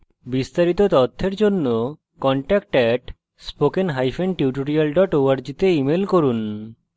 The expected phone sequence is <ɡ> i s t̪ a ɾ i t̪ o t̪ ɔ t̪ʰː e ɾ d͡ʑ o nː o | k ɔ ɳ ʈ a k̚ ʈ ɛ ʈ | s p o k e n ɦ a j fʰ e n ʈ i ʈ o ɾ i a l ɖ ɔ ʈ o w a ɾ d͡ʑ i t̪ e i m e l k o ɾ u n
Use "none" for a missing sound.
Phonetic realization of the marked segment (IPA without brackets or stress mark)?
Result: b